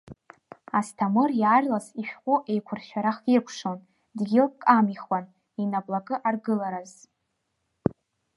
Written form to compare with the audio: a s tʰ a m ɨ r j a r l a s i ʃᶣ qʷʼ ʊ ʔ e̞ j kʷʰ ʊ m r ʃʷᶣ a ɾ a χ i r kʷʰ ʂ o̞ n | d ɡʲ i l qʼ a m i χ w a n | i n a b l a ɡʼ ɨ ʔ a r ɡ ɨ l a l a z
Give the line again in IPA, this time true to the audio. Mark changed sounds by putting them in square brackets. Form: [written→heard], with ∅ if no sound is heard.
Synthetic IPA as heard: a s tʰ a m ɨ r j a r l a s i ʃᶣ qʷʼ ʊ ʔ e̞ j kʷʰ ʊ [m→∅] r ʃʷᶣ a ɾ a χ i r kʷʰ ʂ o̞ n | d ɡʲ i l [qʼ→kʼ] a m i χ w a n | i n a b l a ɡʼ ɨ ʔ a r ɡ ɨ l a [l→ɾ] a z